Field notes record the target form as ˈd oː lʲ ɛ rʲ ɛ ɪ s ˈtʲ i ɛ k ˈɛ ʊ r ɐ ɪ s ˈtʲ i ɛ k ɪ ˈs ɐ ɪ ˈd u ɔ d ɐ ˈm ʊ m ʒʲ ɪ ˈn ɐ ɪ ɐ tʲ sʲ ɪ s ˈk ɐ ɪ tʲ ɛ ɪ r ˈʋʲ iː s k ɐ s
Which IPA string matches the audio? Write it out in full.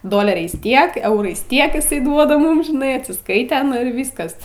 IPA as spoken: ˈd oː lʲ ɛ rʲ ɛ ɪ s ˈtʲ i ɛ k ˈɛ ʊ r ɐ ɪ s ˈtʲ i ɛ k ɪ ˈs ɐ ɪ ˈd u ɔ d ɐ ˈm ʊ m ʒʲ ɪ ˈn ɐ ɪ ɐ tʲ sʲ ɪ s ˈk ɐ ɪ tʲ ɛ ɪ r ˈʋʲ iː s k ɐ s